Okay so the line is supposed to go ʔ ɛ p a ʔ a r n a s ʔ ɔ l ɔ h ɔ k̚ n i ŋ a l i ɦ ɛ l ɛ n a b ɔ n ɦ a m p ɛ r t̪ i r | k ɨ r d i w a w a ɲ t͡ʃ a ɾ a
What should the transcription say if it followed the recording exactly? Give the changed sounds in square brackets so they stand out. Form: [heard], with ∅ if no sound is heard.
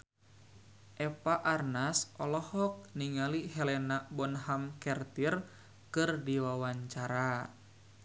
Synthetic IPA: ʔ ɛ p a ʔ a r n a s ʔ ɔ l ɔ h ɔ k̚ n i ŋ a l i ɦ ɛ l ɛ n a b ɔ n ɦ a m [k] ɛ r t̪ i r | k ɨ r d i w a w a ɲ t͡ʃ a ɾ a